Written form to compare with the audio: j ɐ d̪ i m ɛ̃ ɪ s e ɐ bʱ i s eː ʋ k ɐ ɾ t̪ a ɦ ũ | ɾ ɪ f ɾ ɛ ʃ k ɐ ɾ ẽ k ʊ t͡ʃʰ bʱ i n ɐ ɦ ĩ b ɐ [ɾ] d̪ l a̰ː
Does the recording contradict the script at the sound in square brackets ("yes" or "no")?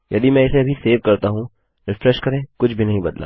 yes